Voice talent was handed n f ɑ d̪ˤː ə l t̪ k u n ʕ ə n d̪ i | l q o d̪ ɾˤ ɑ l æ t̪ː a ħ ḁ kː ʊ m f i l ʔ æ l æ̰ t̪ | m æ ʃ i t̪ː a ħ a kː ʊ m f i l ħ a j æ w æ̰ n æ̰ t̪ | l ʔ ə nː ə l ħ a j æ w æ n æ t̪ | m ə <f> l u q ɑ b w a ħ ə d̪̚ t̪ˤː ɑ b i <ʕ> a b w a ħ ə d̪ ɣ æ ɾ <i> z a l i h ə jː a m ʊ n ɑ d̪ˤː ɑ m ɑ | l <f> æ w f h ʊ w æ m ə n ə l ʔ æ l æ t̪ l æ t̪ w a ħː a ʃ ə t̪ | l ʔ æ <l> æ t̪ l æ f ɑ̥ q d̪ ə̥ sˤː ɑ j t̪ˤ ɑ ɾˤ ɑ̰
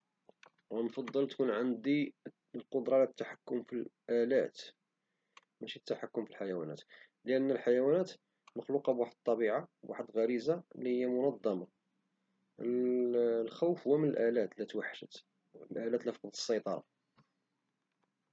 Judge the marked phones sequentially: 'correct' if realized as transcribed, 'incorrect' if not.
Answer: incorrect: x, correct, correct, incorrect: x, correct

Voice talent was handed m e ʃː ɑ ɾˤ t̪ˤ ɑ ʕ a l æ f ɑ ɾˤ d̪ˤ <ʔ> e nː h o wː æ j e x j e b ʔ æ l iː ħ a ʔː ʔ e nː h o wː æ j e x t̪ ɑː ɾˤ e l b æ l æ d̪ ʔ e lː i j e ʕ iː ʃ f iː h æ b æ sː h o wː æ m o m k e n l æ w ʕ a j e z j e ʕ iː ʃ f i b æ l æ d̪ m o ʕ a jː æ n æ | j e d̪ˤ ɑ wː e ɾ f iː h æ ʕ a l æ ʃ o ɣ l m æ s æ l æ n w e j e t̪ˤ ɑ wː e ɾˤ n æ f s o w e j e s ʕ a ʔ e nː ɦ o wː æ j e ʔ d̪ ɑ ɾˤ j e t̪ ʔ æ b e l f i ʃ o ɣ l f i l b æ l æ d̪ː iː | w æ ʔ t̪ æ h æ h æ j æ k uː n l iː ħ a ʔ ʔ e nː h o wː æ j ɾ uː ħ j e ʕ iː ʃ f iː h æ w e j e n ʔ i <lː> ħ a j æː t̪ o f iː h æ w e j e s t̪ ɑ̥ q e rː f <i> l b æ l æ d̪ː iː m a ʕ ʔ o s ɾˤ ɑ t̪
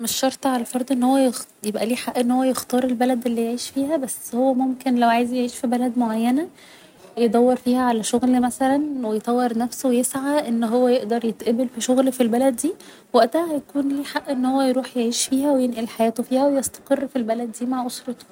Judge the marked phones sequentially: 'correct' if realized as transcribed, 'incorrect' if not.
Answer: correct, incorrect: l, correct

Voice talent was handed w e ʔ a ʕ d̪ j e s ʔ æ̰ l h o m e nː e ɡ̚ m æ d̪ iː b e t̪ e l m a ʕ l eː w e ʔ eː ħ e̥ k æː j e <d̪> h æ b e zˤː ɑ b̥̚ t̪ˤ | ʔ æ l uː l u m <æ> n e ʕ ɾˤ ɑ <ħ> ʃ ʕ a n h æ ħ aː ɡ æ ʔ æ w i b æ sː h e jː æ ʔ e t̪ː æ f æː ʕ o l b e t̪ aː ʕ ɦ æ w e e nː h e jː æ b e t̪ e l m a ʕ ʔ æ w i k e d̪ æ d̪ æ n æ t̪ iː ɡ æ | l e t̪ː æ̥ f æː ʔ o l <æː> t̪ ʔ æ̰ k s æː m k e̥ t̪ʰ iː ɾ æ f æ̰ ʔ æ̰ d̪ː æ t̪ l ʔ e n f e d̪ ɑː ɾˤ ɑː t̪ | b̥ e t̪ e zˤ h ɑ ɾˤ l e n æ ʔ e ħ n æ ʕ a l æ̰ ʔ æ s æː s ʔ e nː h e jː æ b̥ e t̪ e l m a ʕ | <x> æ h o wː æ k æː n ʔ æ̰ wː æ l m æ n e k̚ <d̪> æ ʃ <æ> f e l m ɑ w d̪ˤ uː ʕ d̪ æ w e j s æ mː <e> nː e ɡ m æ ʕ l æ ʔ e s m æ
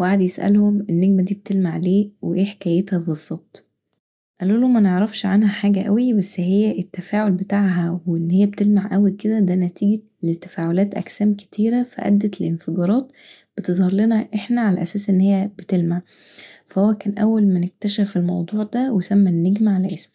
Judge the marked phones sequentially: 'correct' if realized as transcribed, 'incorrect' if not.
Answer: incorrect: t̪, correct, incorrect: f, correct, incorrect: f, incorrect: t̪, correct, incorrect: æ

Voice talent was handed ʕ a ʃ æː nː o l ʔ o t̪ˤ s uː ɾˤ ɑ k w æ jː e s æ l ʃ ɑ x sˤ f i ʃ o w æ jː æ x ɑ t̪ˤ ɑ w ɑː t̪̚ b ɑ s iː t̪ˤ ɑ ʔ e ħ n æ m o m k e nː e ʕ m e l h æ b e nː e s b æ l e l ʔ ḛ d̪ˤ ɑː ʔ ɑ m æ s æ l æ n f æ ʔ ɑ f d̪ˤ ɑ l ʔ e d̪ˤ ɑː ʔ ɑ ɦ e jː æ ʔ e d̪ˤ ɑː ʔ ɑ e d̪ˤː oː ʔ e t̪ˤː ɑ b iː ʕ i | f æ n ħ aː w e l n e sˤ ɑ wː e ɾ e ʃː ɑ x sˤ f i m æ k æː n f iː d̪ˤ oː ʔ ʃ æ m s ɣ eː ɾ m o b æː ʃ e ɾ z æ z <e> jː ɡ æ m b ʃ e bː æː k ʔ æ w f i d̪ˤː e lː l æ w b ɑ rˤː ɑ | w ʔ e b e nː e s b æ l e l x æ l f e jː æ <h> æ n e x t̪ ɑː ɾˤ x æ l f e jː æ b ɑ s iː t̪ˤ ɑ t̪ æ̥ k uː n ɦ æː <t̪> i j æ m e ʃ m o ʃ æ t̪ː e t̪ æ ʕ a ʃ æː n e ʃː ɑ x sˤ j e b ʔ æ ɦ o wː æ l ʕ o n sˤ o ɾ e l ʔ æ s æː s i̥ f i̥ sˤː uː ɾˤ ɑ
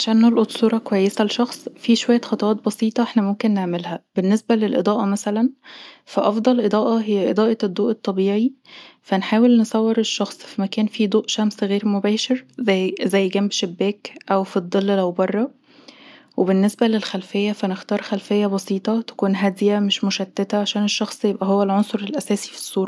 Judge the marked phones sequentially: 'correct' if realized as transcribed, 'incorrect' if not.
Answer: incorrect: æ, incorrect: f, incorrect: d̪

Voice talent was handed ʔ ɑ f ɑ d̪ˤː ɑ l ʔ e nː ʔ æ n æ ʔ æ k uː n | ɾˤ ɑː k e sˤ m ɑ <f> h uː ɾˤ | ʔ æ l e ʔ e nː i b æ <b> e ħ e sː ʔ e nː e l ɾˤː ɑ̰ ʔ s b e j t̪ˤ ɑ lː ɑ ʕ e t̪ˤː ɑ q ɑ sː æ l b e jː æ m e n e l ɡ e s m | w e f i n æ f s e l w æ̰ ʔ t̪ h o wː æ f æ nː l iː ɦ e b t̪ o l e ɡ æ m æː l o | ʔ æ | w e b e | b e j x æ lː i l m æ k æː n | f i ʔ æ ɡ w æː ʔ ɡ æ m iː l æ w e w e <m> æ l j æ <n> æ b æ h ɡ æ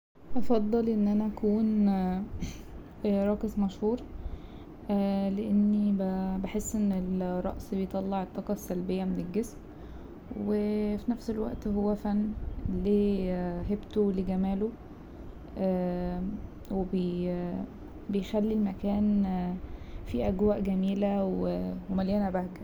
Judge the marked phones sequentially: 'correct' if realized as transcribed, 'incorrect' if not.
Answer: incorrect: ʃ, correct, correct, correct

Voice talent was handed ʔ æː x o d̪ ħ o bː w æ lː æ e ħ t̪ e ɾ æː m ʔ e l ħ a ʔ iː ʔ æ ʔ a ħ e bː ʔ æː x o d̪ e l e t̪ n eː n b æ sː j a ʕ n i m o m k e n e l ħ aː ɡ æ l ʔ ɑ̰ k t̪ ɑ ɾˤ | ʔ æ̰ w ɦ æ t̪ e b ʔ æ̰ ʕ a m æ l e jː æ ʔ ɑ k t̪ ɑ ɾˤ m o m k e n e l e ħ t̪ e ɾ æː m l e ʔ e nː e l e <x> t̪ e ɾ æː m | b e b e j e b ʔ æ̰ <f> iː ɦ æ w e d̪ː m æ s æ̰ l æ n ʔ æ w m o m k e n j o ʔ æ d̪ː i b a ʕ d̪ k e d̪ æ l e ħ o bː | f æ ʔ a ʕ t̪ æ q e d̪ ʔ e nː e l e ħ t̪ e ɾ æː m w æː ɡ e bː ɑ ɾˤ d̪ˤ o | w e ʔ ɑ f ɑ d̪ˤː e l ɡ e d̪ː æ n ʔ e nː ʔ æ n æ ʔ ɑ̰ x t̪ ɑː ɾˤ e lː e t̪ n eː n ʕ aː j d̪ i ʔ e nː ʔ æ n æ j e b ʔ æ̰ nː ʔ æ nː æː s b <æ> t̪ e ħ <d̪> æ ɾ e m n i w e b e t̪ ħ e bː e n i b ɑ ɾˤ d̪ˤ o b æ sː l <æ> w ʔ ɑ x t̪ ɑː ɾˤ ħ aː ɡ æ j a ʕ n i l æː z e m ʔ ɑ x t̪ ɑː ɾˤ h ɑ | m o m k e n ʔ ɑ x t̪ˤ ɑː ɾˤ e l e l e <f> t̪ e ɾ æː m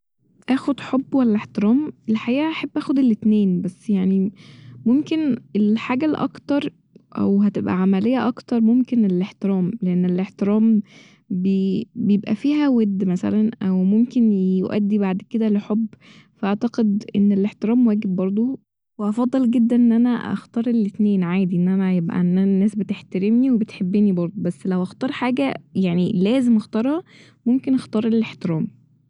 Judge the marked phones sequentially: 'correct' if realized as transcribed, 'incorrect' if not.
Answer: incorrect: ħ, correct, incorrect: e, incorrect: t̪, correct, incorrect: ħ

